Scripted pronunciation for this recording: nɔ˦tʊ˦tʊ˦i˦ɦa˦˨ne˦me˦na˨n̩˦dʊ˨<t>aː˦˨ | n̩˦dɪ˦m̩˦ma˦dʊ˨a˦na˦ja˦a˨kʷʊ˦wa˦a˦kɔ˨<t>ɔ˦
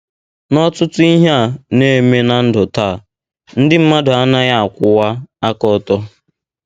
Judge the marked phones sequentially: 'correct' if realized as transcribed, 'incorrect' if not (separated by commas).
correct, correct